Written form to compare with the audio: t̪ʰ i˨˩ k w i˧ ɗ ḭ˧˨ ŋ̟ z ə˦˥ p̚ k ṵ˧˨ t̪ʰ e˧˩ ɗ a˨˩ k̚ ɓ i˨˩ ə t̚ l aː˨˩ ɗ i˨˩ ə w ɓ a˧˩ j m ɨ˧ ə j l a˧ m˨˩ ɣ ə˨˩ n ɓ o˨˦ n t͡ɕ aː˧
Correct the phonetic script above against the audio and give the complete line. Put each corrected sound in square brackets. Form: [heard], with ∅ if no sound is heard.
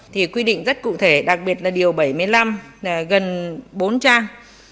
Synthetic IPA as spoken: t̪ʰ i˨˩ k w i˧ ɗ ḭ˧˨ ŋ̟ z ə˦˥ [t̚] k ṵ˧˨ t̪ʰ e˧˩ ɗ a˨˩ k̚ ɓ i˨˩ ə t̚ l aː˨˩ ɗ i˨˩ ə w ɓ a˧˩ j m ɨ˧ ə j l a˧ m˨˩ ɣ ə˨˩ n ɓ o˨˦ n t͡ɕ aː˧